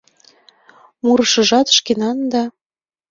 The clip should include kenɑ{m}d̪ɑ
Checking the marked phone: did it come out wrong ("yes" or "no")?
yes